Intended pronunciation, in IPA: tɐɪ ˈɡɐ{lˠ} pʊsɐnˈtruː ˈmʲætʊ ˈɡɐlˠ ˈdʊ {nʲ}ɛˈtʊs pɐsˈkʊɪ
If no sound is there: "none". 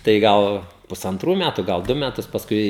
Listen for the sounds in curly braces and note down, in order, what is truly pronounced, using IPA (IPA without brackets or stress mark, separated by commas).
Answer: lˠ, mʲ